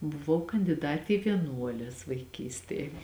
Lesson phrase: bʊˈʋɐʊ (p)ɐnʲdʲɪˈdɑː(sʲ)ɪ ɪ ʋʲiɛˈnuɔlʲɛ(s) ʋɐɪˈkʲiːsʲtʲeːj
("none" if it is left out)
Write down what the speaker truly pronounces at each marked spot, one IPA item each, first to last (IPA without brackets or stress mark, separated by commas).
k, tʲ, s